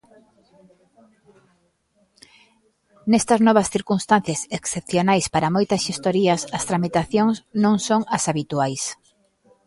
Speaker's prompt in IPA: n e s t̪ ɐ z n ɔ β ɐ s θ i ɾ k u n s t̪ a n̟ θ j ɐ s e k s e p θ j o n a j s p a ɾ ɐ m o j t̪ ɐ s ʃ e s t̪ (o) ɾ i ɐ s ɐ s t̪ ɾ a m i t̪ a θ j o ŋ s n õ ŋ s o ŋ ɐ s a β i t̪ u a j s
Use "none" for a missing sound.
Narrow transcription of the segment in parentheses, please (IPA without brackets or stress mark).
o